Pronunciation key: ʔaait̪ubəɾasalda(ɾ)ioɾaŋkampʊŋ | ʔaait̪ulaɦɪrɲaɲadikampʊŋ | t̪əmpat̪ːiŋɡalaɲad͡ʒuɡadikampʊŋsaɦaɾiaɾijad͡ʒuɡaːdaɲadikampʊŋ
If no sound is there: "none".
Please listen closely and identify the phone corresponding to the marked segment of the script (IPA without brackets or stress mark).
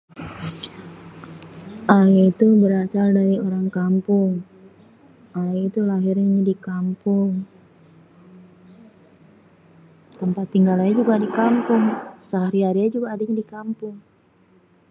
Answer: ɾ